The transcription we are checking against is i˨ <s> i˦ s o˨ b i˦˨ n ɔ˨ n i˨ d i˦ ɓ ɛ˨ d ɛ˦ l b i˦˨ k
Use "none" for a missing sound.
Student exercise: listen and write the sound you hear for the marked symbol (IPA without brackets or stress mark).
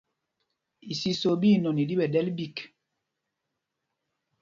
s